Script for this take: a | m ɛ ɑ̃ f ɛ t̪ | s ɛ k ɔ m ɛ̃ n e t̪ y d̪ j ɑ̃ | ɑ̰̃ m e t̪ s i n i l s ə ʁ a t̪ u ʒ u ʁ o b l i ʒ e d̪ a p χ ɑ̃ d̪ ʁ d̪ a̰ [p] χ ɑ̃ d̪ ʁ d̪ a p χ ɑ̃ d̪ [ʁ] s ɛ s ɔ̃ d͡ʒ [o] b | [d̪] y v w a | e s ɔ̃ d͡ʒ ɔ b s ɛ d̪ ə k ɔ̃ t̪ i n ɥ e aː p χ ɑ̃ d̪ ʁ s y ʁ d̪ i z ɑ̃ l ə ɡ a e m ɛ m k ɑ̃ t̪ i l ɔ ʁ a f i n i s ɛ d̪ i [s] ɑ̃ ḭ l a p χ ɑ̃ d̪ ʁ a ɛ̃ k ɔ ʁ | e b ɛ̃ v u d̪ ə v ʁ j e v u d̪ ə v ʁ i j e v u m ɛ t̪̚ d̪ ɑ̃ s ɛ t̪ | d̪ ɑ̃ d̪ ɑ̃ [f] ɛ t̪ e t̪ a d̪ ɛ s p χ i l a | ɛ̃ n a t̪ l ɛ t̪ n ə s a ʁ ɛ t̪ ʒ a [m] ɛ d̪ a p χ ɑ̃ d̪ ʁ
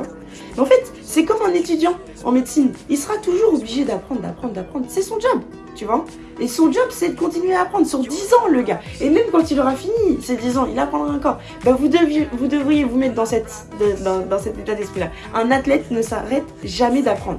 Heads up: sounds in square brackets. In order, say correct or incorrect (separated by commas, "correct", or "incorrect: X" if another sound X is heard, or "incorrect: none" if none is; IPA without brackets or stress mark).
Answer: correct, correct, incorrect: ɔ, incorrect: t̪, incorrect: z, incorrect: s, correct